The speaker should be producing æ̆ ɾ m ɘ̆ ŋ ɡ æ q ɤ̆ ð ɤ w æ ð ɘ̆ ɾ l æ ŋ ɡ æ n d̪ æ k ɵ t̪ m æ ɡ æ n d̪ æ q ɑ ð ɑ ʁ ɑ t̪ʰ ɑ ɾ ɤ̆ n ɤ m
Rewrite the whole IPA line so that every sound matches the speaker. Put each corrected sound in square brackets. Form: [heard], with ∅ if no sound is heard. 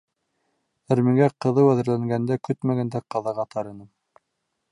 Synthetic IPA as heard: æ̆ ɾ m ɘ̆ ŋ ɡ æ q ɤ̆ ð ɤ w æ ð ɘ̆ ɾ l æ ŋ ɡ æ n d̪ æ k ɵ t̪ m æ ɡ æ n d̪ æ q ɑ ð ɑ ʁ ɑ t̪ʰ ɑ ɾ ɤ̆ n ɤ m